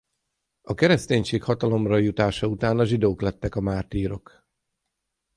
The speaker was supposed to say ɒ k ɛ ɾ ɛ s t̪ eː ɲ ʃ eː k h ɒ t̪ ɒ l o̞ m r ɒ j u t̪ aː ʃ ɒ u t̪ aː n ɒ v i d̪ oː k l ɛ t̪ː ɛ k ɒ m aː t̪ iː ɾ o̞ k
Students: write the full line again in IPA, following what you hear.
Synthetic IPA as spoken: ɒ k ɛ ɾ ɛ s t̪ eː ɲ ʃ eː k h ɒ t̪ ɒ l o̞ m r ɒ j u t̪ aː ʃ ɒ u t̪ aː n ɒ ʒ i d̪ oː k l ɛ t̪ː ɛ k ɒ m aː t̪ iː ɾ o̞ k